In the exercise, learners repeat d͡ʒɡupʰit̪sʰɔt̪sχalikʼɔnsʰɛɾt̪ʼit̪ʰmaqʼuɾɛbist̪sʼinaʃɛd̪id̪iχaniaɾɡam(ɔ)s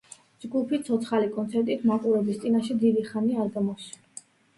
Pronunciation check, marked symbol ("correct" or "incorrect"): correct